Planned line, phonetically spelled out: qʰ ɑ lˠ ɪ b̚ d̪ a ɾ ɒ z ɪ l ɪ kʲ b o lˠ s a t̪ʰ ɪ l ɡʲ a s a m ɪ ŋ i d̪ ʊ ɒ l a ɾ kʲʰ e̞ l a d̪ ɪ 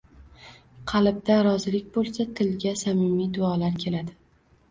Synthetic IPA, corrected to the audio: qʰ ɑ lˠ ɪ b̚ d̪ a ɾ ɒ z ɪ l ɪ kʲ b o lˠ s a t̪ʰ ɪ l ɡʲ a s a m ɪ m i d̪ ʊ ɒ l a ɾ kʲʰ e̞ l a d̪ ɪ